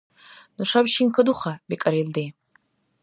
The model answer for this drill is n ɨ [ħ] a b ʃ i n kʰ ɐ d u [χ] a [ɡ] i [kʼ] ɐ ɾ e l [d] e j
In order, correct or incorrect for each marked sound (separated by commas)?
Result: incorrect, correct, incorrect, correct, correct